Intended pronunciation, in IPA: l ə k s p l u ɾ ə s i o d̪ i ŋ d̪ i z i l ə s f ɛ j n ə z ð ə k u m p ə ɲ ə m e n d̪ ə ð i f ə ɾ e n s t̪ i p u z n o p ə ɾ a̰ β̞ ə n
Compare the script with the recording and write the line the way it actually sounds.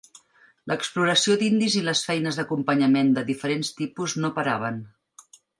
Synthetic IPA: l ə k s p l u ɾ ə s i o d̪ i n d̪ i z i l ə s f ɛ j n ə z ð ə k u m p ə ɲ ə m e n d̪ ə ð i f ə ɾ e n s t̪ i p u z n o p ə ɾ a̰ β̞ ə n